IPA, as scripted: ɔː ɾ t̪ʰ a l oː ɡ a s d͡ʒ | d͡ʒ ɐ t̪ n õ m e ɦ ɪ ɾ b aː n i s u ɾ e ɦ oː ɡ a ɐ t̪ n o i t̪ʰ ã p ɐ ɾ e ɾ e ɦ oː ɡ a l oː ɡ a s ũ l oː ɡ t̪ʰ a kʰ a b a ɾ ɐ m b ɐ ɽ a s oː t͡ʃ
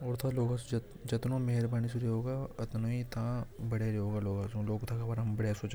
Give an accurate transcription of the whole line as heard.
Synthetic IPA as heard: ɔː ɾ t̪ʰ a l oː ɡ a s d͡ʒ | d͡ʒ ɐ t̪ n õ m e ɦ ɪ ɾ b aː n i s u ɾ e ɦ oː ɡ a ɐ t̪ n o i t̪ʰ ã b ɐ ɽ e ɾ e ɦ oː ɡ a l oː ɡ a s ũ l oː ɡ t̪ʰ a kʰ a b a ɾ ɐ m b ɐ ɽ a s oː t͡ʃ